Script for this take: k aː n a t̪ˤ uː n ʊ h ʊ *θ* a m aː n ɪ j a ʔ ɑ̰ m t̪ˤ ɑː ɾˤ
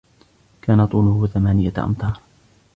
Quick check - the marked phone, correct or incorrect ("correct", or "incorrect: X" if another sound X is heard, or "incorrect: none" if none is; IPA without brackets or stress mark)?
correct